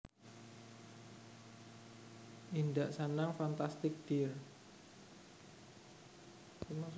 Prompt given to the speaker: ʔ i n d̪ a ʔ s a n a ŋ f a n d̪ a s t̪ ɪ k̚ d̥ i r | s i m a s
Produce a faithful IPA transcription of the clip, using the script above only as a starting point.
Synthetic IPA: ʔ i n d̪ a ʔ s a n a ŋ f a n t̪ a s t̪ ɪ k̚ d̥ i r | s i m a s